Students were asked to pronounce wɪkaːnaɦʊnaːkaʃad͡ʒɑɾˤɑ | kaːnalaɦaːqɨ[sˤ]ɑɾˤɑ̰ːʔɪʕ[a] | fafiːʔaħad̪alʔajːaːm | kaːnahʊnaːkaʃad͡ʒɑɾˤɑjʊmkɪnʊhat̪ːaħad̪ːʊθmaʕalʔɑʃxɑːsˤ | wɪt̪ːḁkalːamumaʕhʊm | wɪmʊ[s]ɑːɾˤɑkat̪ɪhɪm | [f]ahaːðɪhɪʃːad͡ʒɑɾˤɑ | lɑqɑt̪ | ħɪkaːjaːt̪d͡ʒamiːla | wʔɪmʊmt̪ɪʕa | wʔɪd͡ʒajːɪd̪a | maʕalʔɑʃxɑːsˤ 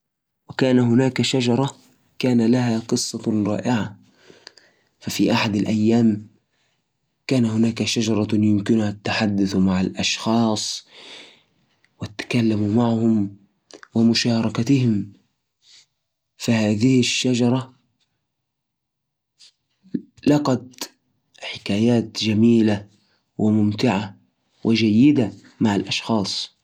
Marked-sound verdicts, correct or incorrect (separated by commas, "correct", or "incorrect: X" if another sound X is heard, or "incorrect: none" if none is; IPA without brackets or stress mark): incorrect: sˤː, correct, incorrect: ʃ, correct